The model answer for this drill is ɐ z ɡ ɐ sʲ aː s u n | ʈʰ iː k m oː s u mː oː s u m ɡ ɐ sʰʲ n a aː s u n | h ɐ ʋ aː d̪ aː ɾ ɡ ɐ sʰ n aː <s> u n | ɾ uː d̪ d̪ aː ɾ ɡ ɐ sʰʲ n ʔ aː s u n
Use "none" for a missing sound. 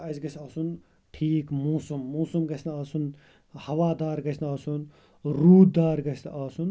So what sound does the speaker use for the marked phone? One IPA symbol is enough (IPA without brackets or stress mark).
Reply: s